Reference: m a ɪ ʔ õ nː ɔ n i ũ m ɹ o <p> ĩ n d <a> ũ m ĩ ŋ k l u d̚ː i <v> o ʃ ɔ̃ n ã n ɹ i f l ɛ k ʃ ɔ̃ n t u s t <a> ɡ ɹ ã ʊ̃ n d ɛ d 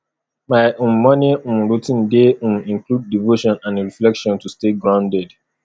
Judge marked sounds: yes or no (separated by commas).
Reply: no, no, yes, no